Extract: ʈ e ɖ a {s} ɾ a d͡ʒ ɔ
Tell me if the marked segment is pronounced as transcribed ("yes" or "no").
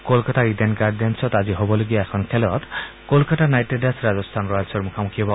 yes